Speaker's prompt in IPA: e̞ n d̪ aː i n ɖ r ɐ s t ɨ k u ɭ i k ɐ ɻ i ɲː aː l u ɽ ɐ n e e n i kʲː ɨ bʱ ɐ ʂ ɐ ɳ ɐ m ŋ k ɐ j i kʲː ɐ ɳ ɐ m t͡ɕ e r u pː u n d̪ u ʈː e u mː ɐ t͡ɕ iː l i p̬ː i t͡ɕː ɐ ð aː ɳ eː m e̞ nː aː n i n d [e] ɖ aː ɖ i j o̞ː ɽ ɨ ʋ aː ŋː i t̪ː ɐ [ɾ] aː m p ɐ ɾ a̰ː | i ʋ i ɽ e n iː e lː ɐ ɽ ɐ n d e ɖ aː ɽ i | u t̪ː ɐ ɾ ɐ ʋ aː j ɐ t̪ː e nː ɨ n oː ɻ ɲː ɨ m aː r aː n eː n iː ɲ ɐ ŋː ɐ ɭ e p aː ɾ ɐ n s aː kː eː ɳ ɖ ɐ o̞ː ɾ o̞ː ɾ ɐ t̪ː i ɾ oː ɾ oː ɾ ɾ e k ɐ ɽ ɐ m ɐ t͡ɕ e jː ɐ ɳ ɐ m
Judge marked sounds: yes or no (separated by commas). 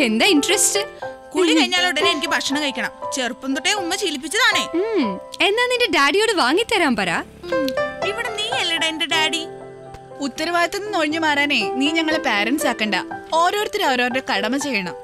yes, yes